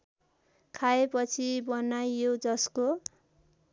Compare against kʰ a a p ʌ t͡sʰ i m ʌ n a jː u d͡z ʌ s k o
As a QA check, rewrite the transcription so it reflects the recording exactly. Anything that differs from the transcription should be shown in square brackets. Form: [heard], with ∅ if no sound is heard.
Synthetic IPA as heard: kʰ a [e] p ʌ t͡sʰ i [b] ʌ n a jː [o] d͡z ʌ s k o

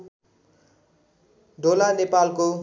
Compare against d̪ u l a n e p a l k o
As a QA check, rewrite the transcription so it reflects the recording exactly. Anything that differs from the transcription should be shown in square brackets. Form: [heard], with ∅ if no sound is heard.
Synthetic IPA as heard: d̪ [o] l a n e p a l k o

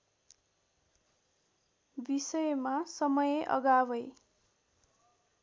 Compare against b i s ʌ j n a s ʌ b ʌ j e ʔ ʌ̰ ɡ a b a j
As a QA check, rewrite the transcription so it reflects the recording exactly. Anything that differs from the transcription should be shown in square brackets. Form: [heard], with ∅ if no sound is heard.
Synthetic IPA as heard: b i s ʌ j [m] a s ʌ [m] ʌ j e ʔ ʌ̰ ɡ a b [ʌ] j

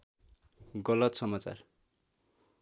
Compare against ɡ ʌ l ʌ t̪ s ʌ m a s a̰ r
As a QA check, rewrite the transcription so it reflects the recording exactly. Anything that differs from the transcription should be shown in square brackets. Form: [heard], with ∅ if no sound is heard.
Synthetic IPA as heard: ɡ ʌ l ʌ t̪ s ʌ m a [t͡s] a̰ r

